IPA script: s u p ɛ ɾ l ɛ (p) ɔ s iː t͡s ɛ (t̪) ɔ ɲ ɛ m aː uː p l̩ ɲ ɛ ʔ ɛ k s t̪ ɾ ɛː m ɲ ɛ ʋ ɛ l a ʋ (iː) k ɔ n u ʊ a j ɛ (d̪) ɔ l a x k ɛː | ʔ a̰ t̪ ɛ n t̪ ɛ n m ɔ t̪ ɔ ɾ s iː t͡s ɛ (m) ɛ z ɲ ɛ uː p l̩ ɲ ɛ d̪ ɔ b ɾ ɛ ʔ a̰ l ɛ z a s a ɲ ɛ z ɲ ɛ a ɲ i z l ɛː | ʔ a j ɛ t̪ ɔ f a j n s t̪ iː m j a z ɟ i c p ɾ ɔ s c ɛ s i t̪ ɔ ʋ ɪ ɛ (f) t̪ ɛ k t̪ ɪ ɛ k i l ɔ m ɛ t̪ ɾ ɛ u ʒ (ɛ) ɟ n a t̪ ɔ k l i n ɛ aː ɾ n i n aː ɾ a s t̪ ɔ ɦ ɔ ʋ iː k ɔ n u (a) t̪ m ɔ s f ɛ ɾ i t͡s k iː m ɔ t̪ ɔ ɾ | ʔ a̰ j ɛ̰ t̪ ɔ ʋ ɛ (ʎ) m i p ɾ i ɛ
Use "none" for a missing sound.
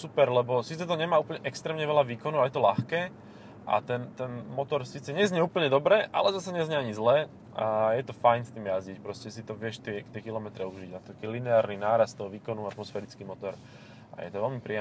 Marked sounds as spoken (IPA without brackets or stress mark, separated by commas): b, t̪, iː, t̪, ɲ, ʃ, i, a, l